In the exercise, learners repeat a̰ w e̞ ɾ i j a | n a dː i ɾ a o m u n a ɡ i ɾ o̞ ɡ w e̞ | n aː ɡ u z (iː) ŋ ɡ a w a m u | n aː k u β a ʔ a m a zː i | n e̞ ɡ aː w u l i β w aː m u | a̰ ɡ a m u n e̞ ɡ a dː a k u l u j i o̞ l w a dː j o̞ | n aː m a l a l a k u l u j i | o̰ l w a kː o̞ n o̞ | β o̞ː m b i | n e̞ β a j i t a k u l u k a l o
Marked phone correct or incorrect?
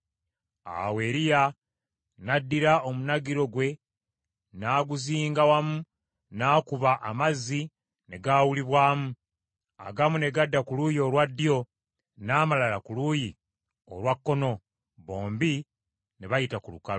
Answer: correct